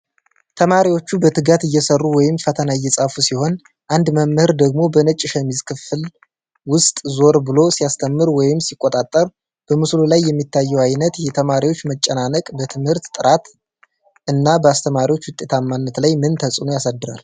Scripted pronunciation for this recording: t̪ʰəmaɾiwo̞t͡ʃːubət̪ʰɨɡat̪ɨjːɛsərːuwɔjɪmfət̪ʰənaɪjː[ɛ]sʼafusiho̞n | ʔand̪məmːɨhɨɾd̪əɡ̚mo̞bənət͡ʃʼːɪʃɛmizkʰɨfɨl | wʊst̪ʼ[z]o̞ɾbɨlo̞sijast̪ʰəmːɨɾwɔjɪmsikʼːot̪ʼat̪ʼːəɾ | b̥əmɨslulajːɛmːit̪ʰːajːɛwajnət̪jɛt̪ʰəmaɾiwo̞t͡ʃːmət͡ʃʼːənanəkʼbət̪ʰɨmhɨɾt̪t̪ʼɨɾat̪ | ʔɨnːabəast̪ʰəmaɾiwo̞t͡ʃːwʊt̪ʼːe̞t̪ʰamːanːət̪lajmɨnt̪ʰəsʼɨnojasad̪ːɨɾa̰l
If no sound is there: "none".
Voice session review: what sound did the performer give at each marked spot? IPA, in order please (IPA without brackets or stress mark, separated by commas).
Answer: ɛ, z